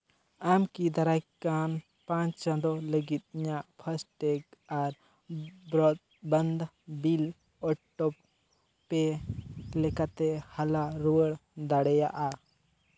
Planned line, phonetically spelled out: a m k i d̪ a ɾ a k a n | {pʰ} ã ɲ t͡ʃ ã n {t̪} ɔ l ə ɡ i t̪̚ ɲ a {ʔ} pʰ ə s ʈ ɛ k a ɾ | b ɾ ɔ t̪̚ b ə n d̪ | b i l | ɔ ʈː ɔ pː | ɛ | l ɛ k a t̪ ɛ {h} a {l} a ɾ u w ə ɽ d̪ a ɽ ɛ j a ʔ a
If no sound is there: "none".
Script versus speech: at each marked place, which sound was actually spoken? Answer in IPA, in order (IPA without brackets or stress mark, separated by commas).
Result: p, d̪, ʔ, h, l